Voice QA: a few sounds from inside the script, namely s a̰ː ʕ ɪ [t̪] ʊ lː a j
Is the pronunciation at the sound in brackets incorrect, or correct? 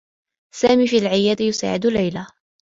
incorrect